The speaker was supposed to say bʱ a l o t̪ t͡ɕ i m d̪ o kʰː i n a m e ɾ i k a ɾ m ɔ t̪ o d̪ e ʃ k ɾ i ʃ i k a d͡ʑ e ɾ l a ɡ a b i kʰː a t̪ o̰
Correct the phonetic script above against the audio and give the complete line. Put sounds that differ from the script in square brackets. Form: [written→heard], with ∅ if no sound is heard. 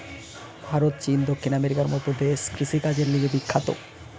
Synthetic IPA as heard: bʱ a [l→ɾ] o t̪ t͡ɕ i [m→n] d̪ o kʰː i n a m e ɾ i k a ɾ m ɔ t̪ o d̪ e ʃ k ɾ i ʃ i k a d͡ʑ e ɾ l [a→i] ɡ [a→e] b i kʰː a t̪ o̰